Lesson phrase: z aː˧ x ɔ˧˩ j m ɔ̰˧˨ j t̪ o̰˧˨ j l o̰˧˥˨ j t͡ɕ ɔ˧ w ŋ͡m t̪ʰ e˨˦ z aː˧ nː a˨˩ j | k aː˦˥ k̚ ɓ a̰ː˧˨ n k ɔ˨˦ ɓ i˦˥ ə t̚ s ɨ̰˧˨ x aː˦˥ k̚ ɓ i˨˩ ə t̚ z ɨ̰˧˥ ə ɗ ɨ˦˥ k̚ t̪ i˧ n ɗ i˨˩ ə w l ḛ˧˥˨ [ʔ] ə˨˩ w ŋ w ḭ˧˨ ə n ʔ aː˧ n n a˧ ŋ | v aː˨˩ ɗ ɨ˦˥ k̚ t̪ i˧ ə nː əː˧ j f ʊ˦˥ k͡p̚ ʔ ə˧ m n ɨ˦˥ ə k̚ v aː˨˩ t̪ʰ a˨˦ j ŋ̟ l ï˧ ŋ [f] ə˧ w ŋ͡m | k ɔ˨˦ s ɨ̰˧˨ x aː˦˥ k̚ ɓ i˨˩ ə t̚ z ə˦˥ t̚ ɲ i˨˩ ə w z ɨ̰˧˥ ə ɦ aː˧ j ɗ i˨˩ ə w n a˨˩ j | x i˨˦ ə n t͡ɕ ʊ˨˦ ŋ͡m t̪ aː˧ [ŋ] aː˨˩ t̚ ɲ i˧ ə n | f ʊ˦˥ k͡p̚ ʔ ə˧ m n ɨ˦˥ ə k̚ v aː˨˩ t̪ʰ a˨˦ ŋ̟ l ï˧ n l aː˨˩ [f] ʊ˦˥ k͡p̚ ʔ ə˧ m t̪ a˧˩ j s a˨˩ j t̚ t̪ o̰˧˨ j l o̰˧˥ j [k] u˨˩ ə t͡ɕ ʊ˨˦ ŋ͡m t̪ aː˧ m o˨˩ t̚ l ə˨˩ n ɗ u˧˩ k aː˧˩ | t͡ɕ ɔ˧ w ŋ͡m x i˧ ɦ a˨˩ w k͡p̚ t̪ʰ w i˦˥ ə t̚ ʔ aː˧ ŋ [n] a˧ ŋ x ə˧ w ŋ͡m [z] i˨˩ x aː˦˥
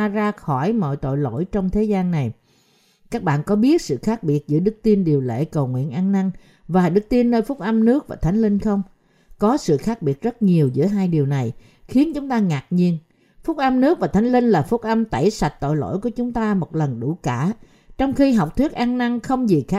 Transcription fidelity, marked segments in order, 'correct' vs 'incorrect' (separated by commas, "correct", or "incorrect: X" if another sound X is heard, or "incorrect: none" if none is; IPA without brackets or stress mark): incorrect: k, incorrect: x, correct, correct, correct, correct, correct